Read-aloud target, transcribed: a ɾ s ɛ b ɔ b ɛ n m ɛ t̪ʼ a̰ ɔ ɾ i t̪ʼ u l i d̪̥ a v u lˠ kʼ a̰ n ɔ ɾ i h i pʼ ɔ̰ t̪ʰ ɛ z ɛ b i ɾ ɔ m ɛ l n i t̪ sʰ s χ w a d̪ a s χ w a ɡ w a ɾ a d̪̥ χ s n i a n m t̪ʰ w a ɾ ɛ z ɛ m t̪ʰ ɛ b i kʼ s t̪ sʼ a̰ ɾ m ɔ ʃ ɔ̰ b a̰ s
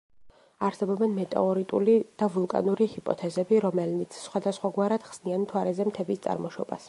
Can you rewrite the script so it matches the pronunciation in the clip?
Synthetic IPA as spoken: a ɾ s ɛ b ɔ b ɛ n m ɛ t̪ʼ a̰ ɔ ɾ i t̪ʼ u l i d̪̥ a v u lˠ kʼ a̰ n u ɾ i h i pʼ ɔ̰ t̪ʰ ɛ z ɛ b i ɾ ɔ m ɛ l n i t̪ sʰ s χ w a d̪ a s χ w a ɡ w a ɾ a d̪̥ χ s n i a n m t̪ʰ w a ɾ ɛ z ɛ m t̪ʰ ɛ b i s t̪ sʼ a̰ ɾ m ɔ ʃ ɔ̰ b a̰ s

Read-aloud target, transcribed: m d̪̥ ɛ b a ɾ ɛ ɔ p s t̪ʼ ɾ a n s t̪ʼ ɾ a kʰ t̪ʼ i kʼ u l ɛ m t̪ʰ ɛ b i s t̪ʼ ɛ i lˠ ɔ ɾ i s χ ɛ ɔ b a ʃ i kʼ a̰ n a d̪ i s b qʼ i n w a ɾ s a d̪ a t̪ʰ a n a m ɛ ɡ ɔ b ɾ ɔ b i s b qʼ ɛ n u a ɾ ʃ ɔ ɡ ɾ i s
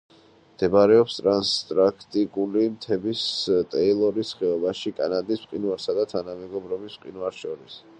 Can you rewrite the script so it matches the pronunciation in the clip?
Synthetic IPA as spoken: m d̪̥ ɛ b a ɾ ɛ ɔ p s t̪ʼ ɾ a n s t̪ʼ ɾ a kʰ t̪ʼ i kʼ u l i m t̪ʰ ɛ b i s t̪ʼ ɛ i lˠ ɔ ɾ i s χ ɛ ɔ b a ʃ i kʼ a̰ n a d̪ i s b qʼ i n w a ɾ s a d̪ a t̪ʰ a n a m ɛ ɡ ɔ b ɾ ɔ b i s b qʼ i n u a ɾ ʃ ɔ ɾ i s

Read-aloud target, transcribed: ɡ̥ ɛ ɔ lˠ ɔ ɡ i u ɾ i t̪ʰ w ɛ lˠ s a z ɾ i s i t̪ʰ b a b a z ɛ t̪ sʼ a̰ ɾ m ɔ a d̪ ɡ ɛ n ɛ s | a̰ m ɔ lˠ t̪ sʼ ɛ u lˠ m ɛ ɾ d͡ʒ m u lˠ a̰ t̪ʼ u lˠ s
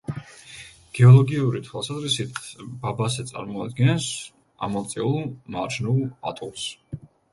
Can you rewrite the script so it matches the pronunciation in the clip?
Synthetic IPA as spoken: ɡ̥ ɛ ɔ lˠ ɔ ɡ i u ɾ i t̪ʰ w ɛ lˠ s a z ɾ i s i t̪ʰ b a b a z ɛ t̪ sʼ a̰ ɾ m ɔ a d̪ ɡ ɛ n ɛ s | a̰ m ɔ lˠ t̪ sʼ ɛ u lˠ m a ɾ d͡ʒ n u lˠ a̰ t̪ʼ u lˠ s

